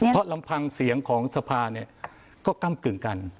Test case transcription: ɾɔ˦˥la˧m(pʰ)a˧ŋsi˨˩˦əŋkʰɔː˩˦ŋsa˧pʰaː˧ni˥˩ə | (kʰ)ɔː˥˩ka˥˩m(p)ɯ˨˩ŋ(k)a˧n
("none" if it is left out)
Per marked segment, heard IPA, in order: pʰ, k, k, k

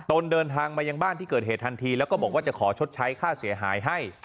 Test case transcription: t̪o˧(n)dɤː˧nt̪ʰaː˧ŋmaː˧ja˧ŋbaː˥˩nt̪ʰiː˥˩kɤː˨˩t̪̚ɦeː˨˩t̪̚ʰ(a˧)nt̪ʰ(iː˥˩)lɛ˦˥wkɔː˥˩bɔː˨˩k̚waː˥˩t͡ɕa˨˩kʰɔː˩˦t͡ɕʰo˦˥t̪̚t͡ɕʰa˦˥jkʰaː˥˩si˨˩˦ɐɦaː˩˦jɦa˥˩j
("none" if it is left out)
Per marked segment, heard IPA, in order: n, a˧, iː˧

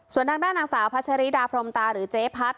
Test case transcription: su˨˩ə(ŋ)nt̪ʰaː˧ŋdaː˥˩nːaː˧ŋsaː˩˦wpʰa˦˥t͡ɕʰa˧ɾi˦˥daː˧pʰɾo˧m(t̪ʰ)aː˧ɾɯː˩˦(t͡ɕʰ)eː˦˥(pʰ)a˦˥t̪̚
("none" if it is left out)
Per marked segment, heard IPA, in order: none, t̪, t͡ɕ, pʰ

